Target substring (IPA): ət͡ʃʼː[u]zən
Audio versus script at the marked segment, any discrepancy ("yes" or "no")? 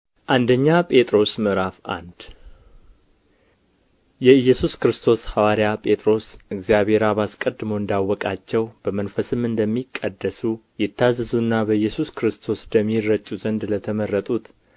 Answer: no